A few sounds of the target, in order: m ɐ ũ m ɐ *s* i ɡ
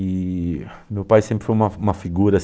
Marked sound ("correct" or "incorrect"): incorrect